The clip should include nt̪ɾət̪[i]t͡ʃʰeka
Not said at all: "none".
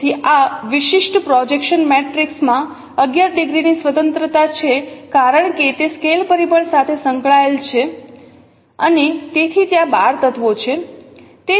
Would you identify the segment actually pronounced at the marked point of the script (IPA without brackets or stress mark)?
a